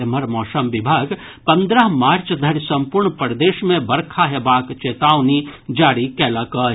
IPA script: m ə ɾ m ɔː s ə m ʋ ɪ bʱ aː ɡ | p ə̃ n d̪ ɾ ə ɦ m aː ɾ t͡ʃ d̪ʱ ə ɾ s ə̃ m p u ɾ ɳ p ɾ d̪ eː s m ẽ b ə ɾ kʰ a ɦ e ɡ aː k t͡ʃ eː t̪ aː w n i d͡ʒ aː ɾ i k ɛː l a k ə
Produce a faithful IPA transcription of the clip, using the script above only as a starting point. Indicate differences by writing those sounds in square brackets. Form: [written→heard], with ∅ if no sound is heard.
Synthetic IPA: m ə ɾ m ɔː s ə m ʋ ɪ bʱ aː ɡ | p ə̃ n d̪ ɾ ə ɦ m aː ɾ t͡ʃ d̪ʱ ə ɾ s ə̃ m p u ɾ ɳ p ɾ d̪ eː [s→ʃ] m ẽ b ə ɾ kʰ a ɦ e [ɡ→b] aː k t͡ʃ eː t̪ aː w n i d͡ʒ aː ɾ i k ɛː l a k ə